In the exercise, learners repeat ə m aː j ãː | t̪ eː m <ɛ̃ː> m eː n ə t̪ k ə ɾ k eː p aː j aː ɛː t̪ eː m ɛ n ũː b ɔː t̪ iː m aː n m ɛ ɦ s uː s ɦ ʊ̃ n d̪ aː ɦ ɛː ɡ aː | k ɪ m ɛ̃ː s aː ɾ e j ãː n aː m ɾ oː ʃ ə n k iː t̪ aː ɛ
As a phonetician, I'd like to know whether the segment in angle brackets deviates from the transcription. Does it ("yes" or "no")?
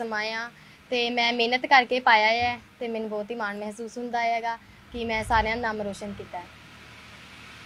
no